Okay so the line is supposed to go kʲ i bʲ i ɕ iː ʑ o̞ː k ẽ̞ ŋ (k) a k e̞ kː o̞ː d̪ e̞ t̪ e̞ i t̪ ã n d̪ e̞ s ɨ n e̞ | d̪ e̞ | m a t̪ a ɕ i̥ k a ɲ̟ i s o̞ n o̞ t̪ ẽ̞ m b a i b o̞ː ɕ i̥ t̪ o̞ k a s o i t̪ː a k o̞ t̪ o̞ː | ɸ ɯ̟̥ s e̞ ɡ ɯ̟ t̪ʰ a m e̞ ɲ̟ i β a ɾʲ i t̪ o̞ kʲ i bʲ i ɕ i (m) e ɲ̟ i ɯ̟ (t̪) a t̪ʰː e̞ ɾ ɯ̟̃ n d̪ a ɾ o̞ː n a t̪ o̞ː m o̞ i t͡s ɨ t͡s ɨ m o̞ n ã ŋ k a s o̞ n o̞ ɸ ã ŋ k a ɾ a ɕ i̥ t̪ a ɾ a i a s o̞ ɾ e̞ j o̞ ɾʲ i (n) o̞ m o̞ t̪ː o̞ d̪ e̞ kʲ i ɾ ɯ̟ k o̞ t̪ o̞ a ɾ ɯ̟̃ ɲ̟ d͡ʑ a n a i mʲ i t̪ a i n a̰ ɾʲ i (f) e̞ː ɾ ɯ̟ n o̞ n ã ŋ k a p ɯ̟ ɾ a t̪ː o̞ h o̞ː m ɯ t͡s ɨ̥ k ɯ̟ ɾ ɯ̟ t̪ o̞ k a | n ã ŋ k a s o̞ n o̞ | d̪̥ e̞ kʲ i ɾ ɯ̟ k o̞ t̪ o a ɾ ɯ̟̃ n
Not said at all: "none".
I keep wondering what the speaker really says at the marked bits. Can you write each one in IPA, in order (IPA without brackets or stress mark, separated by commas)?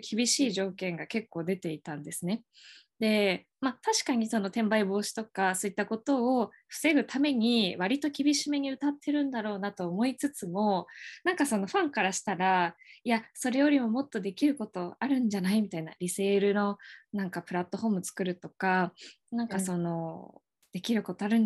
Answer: ɡ, m, t̪, m, s